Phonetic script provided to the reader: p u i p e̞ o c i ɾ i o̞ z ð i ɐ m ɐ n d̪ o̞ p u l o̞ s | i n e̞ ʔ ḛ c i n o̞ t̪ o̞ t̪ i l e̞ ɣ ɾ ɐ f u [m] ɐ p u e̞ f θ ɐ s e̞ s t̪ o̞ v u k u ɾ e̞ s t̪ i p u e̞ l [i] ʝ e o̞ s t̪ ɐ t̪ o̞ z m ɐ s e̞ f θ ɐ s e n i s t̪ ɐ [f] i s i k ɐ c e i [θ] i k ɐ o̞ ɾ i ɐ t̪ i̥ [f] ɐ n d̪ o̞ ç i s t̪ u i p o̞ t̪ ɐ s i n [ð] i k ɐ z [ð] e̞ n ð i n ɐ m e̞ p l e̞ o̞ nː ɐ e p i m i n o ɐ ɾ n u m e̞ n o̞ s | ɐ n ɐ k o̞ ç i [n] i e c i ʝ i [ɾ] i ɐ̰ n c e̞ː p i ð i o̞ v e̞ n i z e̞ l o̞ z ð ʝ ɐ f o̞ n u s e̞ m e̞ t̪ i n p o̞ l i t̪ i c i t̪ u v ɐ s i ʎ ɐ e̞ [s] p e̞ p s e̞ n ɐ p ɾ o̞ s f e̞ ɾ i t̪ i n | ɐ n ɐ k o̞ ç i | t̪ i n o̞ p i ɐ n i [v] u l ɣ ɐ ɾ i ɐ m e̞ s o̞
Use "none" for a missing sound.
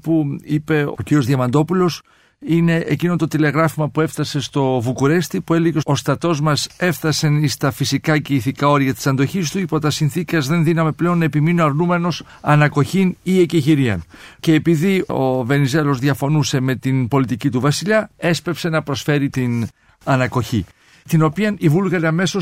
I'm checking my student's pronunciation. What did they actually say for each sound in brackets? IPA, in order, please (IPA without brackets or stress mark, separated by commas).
m, e, f, θ, s, θ, ð, n, ɾ, s, v